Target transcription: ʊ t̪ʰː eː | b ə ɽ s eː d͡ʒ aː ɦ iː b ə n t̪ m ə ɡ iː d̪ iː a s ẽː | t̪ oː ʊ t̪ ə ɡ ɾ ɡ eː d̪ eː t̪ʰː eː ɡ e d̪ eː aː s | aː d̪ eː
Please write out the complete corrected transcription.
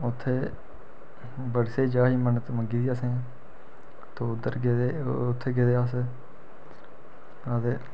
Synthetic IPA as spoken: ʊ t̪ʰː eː | b ə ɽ s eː d͡ʒ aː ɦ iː m ə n t̪ m ə ɡ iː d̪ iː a s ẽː | t̪ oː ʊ d̪ ə ɾ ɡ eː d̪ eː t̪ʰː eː ɡ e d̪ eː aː s | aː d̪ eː